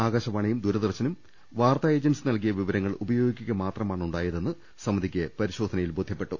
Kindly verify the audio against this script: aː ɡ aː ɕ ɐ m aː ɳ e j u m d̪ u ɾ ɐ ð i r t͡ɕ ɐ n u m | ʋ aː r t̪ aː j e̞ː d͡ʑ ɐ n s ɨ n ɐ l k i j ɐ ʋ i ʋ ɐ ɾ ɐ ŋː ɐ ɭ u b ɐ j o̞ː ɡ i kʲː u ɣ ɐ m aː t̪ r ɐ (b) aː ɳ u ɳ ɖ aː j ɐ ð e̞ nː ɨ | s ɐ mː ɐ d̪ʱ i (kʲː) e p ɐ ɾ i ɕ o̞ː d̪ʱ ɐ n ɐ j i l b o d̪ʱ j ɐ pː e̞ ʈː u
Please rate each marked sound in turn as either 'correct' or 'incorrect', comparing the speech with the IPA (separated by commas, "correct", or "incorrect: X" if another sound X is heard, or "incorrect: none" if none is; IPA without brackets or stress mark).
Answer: incorrect: m, correct